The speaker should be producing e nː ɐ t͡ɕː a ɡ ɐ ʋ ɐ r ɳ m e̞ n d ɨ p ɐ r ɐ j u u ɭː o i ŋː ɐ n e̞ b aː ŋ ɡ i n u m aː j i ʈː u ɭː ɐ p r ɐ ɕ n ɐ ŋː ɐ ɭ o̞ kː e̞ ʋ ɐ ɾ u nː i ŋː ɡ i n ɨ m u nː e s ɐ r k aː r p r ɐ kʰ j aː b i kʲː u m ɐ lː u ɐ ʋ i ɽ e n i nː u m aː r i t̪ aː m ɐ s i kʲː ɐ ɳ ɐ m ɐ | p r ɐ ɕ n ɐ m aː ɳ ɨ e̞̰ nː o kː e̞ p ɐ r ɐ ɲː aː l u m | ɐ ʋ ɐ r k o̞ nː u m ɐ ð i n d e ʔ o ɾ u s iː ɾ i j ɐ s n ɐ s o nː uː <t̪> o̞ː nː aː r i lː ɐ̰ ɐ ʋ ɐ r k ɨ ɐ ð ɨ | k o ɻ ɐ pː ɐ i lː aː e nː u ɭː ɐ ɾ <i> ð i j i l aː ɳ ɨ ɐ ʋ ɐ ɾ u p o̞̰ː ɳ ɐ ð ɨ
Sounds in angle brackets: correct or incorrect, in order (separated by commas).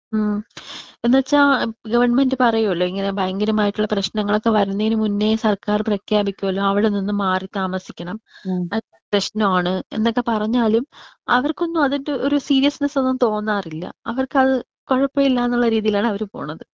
correct, incorrect